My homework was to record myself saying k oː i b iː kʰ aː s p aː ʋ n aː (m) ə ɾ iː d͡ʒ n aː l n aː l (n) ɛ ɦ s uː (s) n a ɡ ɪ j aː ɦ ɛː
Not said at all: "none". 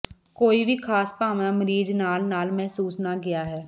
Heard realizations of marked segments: m, m, s

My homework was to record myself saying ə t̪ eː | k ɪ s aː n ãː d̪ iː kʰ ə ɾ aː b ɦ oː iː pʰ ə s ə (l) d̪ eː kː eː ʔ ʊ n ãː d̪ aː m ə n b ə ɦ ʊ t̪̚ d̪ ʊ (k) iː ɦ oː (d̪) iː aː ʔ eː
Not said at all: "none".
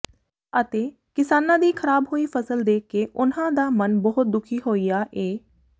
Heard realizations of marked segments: l, kʰ, none

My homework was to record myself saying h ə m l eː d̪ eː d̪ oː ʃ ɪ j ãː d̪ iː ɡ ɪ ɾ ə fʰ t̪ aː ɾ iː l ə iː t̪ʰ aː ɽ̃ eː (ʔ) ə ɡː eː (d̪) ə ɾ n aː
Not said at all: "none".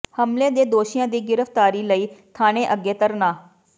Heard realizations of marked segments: ʔ, t̪

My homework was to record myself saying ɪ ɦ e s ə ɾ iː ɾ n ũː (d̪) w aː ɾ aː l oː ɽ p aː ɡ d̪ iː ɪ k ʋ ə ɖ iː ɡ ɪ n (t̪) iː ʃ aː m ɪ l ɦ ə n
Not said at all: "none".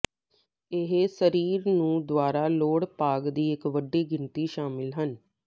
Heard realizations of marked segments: d̪, t̪

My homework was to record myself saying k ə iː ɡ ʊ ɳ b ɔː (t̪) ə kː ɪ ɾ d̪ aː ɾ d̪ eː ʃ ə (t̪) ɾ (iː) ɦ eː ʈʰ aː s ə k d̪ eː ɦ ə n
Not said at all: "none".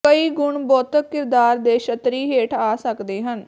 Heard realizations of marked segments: t̪, t̪, iː

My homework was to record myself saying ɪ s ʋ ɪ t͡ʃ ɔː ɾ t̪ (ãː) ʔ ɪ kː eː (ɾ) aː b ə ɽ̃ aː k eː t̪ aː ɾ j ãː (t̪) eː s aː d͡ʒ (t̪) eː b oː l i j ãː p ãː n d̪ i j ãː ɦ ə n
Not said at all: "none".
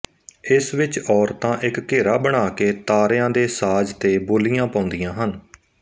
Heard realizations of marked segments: ãː, ɾ, d̪, t̪

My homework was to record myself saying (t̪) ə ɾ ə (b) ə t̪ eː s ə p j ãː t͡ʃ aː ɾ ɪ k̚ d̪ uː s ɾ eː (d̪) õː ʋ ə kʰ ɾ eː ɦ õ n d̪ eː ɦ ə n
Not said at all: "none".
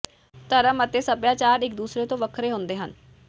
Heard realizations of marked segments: t̪, m, t̪

